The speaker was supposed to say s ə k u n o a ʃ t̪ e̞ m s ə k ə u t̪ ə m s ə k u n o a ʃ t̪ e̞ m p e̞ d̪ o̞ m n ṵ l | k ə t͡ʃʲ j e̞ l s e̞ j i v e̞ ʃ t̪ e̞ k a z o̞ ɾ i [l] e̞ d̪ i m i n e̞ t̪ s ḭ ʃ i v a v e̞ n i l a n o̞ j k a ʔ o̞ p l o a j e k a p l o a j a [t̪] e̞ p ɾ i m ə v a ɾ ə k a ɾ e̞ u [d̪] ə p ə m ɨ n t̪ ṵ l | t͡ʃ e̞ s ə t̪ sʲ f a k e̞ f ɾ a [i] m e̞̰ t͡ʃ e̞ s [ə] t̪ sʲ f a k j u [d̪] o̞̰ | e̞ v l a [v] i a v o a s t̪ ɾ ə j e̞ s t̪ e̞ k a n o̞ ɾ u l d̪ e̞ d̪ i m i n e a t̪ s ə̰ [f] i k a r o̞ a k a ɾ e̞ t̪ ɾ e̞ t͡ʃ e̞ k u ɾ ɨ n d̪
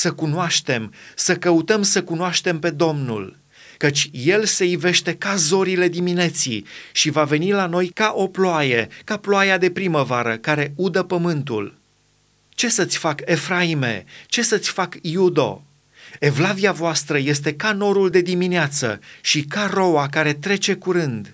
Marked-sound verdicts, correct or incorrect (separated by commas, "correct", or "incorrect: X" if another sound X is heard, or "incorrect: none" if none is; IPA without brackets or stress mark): correct, incorrect: d̪, correct, correct, correct, correct, correct, incorrect: ʃ